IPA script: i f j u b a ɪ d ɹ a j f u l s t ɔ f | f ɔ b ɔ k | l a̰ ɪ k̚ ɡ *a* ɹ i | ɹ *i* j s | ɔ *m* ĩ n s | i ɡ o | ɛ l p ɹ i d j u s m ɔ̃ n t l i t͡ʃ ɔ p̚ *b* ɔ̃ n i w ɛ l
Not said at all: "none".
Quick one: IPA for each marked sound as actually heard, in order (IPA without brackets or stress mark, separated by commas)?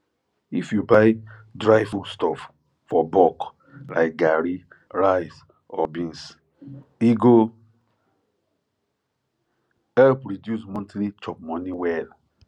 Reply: a, a, b, m